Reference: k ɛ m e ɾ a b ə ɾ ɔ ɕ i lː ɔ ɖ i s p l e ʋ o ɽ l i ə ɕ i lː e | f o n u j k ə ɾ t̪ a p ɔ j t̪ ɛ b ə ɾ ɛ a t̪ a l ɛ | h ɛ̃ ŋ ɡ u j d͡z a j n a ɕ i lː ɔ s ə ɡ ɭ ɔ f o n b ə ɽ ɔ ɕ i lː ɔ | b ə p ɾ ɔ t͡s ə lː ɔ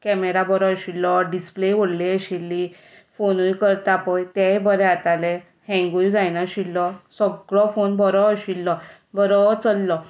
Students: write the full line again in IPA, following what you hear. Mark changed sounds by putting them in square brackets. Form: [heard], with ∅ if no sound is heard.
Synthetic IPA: k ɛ m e ɾ a b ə ɾ ɔ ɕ i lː ɔ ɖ i s p l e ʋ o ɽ l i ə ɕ i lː [i] | f o n u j k ə ɾ t̪ a p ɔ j t̪ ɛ b ə ɾ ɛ a t̪ a l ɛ | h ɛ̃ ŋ ɡ u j d͡z a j n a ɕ i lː ɔ s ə ɡ ɭ ɔ f o n b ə [ɾ] ɔ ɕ i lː ɔ | b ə [∅] ɾ ɔ t͡s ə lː ɔ